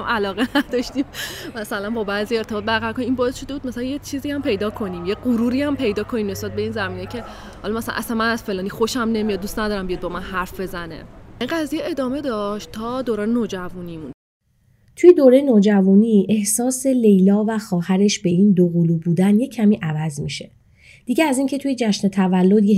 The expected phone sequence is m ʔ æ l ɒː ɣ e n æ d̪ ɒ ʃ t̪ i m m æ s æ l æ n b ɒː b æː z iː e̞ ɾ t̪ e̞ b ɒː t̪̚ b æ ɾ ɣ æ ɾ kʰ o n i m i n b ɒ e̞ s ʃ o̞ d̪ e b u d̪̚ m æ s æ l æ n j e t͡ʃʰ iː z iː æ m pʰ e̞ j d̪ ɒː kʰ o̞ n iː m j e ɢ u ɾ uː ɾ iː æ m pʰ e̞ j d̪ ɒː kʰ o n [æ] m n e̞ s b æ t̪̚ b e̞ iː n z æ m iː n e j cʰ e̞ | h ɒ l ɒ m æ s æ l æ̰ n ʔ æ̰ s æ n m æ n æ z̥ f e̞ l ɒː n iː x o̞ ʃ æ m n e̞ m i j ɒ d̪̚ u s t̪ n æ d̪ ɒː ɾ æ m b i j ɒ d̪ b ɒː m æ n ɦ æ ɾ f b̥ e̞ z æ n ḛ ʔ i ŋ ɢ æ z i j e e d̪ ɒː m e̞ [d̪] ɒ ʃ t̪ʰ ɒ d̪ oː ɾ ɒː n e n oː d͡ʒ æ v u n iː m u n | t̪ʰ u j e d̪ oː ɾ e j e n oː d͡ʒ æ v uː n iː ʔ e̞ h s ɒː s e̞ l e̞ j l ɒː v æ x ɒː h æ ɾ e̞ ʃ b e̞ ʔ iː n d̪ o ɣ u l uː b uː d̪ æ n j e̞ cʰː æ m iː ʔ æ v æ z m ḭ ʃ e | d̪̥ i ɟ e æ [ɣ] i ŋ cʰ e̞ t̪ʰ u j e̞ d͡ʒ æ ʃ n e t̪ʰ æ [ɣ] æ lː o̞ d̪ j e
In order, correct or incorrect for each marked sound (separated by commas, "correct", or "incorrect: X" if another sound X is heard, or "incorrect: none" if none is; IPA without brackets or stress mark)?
incorrect: i, correct, incorrect: z, incorrect: v